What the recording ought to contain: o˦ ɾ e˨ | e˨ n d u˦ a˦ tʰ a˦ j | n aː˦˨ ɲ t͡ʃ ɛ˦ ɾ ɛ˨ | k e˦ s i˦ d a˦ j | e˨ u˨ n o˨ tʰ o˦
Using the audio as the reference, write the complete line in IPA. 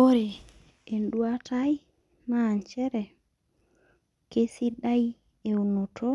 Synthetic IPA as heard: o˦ ɾ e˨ | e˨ n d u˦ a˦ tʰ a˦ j | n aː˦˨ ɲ t͡ʃ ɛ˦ ɾ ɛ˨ | k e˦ s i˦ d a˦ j | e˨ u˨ n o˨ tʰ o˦